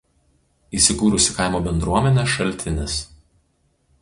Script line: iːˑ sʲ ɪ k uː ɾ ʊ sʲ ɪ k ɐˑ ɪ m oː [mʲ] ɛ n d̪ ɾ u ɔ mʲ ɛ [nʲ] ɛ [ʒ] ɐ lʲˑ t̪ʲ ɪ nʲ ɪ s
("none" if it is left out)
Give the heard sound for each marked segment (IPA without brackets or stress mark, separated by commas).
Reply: bʲ, nʲ, ʃ